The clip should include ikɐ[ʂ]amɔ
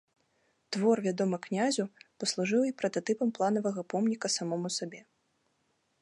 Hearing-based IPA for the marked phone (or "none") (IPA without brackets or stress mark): s